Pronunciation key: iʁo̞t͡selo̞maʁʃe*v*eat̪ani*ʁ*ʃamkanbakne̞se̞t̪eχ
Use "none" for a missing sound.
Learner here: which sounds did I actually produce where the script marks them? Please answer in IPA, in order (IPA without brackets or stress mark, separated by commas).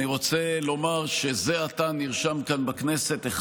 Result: z, ʁ